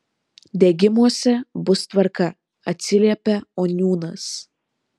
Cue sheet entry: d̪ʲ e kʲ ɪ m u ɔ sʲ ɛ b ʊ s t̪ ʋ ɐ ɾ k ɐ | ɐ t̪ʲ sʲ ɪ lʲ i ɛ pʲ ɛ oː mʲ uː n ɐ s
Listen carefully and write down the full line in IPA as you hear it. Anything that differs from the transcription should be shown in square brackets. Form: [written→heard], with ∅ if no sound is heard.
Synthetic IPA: d̪ʲ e [kʲ→ɡʲ] ɪ m u ɔ sʲ ɛ b ʊ s t̪ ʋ ɐ ɾ k ɐ | ɐ t̪ʲ sʲ ɪ lʲ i ɛ pʲ ɛ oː [mʲ→nʲ] uː n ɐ s